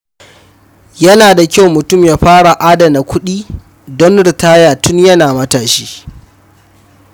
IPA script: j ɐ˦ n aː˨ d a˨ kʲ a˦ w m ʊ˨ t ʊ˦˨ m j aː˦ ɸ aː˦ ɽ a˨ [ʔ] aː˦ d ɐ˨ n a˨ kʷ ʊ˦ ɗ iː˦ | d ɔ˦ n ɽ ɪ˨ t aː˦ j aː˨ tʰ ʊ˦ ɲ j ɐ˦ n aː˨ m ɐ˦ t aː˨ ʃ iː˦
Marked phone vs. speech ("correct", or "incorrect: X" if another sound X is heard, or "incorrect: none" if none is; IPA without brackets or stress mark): correct